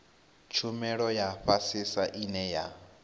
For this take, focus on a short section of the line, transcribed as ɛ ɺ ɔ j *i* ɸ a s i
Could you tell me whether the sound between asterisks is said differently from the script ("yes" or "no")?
yes